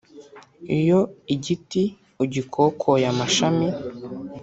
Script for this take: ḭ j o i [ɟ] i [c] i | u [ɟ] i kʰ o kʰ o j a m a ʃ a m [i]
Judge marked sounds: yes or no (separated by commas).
yes, no, yes, yes